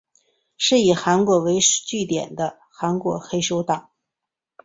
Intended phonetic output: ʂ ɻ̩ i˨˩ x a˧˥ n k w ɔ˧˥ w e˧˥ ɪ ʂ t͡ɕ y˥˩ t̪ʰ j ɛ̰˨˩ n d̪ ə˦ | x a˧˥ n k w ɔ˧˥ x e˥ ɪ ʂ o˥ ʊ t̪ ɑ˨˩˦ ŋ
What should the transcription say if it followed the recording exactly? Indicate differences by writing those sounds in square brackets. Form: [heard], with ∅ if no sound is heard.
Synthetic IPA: ʂ ɻ̩ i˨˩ x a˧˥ n k w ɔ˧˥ w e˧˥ ɪ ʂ t͡ɕ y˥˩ [t̪] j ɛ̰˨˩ n d̪ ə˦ | x a˧˥ n k w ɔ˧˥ x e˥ ɪ ʂ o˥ ʊ t̪ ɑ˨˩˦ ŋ